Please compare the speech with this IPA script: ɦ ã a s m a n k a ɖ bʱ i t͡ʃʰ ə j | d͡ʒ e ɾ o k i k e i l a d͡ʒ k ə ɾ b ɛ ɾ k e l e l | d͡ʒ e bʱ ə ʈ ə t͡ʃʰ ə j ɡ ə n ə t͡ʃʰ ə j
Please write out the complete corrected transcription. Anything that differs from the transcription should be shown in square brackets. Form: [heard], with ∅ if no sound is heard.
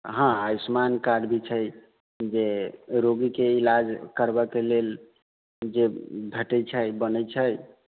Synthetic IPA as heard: ɦ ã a s m a n k a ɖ bʱ i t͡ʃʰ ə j | d͡ʒ e ɾ o [ɡ] i k e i l a d͡ʒ k ə ɾ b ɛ [∅] k e l e l | d͡ʒ e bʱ ə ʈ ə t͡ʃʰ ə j [b] ə n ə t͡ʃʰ ə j